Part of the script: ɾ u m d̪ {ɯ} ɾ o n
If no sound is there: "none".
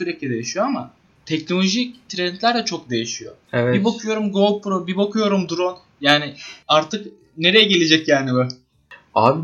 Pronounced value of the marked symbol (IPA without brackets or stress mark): u